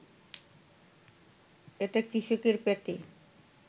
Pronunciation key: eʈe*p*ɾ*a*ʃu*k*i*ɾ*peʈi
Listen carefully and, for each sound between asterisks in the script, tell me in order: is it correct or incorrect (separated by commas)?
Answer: incorrect, incorrect, correct, correct